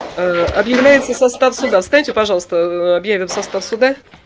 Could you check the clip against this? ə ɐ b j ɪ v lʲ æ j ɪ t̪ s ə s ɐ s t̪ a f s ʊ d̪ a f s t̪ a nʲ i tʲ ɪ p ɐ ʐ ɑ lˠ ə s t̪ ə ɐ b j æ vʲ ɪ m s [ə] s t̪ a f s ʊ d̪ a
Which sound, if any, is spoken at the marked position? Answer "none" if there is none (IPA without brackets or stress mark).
ɐ